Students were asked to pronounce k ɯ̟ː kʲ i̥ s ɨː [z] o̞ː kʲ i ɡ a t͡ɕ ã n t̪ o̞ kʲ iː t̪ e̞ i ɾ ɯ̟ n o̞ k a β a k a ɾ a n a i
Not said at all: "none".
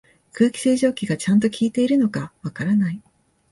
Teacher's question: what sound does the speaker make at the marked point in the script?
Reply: ʑ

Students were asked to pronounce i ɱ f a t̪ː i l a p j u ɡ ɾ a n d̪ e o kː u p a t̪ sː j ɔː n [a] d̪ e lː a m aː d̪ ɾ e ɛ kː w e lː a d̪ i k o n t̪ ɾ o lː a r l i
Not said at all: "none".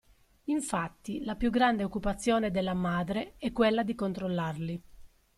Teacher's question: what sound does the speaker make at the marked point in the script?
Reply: e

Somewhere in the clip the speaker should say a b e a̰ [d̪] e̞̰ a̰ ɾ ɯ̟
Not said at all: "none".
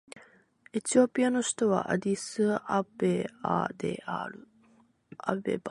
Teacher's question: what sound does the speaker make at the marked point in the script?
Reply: d̪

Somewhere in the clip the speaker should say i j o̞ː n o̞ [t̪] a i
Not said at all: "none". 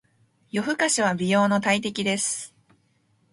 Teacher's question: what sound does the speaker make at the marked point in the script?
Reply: t̪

